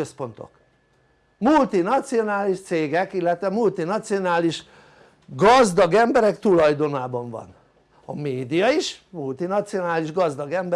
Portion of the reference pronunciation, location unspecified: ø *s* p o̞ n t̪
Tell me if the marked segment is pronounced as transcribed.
yes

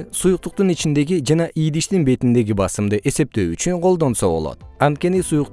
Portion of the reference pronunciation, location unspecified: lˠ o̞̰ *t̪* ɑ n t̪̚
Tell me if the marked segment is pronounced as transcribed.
yes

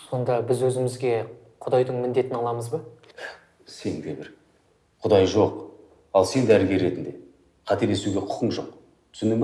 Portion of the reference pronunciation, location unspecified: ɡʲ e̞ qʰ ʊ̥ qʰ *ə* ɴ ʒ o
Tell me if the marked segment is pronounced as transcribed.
yes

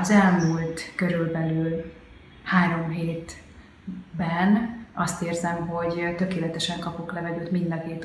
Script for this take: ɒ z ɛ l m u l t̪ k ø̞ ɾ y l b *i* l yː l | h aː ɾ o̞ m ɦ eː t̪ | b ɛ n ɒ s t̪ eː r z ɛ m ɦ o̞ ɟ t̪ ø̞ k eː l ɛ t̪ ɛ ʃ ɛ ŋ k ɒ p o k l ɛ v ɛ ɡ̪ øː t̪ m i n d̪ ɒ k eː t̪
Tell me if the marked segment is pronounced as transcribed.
no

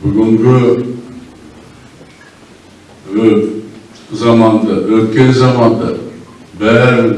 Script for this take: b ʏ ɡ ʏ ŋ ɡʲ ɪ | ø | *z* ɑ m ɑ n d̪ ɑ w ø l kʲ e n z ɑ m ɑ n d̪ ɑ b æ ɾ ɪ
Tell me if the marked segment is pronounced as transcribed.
yes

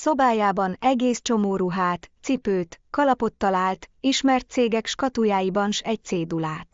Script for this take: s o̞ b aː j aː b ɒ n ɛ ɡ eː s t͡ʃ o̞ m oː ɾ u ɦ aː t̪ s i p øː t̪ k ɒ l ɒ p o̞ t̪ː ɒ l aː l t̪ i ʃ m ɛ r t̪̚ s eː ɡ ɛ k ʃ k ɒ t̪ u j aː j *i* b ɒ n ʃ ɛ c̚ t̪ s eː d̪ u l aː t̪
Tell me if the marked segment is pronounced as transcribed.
yes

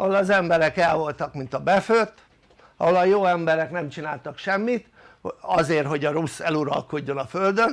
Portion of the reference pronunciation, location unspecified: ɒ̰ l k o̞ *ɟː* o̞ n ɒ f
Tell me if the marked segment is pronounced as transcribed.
yes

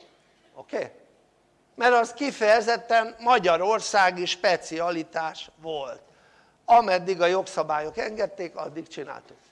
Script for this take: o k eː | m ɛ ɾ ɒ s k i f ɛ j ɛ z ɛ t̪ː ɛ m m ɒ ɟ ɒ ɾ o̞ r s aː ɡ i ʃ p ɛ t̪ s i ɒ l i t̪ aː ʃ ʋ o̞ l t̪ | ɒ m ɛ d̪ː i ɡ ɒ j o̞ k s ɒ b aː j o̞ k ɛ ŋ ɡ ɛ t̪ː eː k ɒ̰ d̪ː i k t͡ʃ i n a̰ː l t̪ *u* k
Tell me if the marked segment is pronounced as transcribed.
yes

